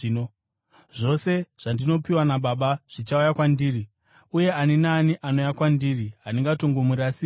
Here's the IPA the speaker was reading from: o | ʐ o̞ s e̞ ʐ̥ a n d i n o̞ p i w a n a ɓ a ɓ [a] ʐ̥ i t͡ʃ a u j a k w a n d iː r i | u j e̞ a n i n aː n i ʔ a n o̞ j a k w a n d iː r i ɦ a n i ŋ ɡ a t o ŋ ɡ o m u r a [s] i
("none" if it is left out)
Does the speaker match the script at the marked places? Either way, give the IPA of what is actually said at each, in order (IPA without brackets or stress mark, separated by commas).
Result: a, s